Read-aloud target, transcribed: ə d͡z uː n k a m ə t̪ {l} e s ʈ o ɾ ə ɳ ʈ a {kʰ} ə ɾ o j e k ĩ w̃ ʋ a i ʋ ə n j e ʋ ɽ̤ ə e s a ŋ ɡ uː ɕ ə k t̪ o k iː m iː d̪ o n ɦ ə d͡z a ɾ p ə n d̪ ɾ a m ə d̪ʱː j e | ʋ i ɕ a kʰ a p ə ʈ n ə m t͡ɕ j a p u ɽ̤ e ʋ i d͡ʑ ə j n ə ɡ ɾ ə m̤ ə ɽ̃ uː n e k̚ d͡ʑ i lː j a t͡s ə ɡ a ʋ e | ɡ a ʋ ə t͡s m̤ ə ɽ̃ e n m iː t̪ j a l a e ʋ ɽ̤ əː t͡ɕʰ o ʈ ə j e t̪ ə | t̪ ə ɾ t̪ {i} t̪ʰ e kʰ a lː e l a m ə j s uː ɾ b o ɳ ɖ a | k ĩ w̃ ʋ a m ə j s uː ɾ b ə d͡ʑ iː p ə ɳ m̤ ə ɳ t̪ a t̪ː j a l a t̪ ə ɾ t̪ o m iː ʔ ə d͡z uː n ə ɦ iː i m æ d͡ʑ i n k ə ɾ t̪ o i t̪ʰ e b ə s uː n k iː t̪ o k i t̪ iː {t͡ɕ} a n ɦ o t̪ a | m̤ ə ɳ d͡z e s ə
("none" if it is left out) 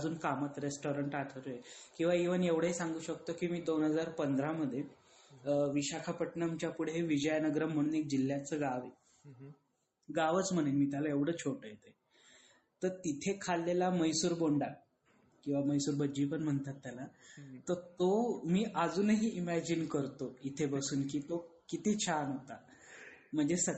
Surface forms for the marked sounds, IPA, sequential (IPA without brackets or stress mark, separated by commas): ɾ, ʈʰ, i, t͡ɕʰ